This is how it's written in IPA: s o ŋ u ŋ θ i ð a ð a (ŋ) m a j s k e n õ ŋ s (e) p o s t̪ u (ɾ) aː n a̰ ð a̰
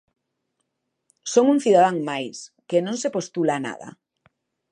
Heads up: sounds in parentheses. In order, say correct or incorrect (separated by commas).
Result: correct, correct, incorrect